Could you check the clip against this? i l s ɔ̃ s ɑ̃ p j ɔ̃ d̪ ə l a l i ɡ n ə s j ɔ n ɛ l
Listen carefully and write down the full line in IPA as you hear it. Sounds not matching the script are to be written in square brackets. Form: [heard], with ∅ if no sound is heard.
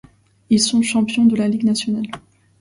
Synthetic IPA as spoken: i l s ɔ̃ [ʃ] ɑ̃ p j ɔ̃ d̪ ə l a l i ɡ n [a] s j ɔ n [a] l